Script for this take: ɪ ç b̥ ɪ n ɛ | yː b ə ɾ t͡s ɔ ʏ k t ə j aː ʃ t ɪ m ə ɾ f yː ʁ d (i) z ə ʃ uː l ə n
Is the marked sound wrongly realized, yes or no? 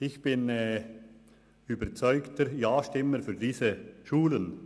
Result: yes